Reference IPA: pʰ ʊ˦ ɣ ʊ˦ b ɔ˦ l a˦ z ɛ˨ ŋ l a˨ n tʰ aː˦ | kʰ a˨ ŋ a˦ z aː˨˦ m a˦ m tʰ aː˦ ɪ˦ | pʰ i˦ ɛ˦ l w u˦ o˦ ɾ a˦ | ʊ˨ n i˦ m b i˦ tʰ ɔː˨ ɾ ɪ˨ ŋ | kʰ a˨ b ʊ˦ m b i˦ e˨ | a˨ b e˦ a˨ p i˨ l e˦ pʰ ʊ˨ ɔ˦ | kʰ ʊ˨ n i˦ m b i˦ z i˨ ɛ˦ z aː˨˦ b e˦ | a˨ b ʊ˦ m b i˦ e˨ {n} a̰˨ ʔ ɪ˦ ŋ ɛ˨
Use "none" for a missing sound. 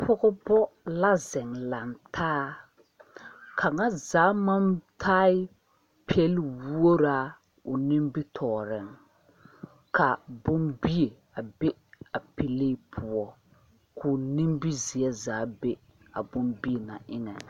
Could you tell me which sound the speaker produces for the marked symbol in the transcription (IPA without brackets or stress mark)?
n